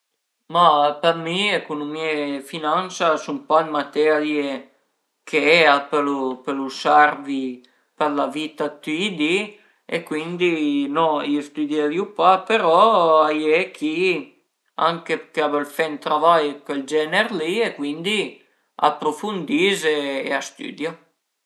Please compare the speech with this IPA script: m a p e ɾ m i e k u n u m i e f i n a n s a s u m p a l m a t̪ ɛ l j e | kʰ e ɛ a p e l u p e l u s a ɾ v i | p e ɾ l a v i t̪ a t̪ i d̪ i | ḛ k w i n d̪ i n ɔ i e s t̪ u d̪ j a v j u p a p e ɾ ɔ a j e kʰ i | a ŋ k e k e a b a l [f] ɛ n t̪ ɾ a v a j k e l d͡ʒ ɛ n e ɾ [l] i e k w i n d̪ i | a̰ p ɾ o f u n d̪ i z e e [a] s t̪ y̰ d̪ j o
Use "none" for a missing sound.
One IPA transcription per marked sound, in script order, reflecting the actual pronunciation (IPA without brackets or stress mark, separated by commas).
f, l, a